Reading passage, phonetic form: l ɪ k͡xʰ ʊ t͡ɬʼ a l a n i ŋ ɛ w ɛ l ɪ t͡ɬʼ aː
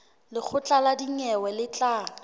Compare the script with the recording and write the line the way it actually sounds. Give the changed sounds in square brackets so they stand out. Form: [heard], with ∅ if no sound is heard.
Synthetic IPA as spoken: l ɪ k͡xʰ ʊ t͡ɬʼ a l a [d] i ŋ ɛ w ɛ l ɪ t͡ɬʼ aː

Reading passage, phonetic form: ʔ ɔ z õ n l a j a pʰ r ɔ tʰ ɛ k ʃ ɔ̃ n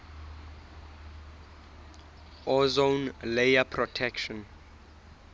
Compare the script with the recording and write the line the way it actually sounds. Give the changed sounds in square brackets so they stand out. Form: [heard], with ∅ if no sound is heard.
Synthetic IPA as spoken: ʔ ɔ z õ n l [e] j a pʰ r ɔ tʰ ɛ k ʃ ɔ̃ n

